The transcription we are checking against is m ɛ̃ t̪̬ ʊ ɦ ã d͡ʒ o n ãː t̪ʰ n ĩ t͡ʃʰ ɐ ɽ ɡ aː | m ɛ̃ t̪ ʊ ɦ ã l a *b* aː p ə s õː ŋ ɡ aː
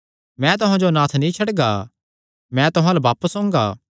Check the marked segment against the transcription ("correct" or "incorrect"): correct